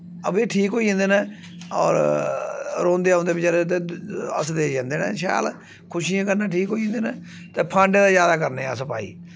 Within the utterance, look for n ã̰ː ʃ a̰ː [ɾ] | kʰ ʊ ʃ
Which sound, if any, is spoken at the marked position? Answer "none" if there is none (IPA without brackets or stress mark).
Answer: l